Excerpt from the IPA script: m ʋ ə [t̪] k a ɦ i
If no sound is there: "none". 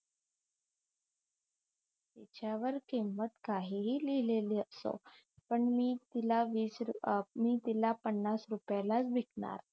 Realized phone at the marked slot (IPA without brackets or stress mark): t̪